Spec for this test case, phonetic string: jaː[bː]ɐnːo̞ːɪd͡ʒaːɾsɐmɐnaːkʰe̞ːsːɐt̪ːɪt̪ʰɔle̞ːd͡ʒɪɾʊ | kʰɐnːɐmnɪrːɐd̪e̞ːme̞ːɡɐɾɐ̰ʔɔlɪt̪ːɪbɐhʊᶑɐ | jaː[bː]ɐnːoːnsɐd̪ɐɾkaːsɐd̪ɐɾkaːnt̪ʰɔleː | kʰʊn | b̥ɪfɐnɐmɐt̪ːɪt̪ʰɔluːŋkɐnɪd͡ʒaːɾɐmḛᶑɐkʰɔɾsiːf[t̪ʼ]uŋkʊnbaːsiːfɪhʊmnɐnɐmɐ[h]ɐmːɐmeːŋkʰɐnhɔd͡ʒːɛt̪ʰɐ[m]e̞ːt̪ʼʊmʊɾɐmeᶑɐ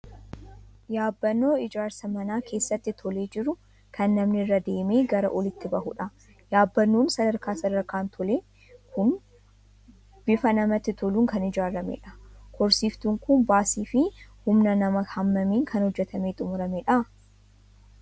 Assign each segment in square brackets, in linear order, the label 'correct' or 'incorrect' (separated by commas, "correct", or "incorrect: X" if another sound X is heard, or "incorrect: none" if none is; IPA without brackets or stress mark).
correct, correct, incorrect: t̪, correct, correct